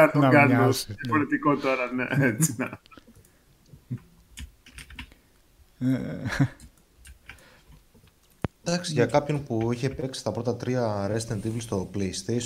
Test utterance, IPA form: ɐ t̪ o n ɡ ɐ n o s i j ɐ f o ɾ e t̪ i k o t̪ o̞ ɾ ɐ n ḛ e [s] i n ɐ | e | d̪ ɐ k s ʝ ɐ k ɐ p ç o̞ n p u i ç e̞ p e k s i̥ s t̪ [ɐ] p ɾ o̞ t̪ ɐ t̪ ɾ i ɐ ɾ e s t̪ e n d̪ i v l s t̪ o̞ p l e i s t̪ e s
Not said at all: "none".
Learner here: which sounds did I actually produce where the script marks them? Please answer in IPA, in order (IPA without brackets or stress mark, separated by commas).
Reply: t͡s, ɐ